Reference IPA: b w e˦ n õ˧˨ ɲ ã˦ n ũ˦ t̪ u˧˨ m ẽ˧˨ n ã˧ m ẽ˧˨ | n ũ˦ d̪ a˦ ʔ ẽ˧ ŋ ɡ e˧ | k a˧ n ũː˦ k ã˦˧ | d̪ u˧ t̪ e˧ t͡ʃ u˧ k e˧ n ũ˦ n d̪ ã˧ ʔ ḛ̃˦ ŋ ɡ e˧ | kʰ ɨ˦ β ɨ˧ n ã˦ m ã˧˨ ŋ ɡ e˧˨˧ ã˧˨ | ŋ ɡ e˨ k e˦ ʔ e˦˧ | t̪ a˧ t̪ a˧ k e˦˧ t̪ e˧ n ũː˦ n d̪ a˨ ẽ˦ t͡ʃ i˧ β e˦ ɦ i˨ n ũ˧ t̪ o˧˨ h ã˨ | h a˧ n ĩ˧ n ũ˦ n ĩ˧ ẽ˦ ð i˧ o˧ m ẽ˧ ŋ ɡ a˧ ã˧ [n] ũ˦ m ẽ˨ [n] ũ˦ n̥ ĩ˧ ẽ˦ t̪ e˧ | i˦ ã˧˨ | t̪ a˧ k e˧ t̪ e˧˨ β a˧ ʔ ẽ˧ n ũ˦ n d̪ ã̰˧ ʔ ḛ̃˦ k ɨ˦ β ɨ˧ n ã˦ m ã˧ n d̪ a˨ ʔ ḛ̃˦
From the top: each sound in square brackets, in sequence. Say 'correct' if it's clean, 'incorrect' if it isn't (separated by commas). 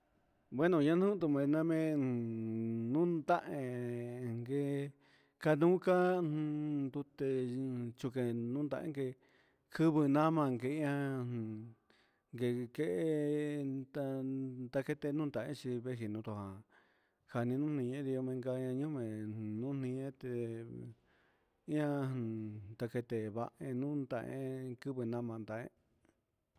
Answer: incorrect, correct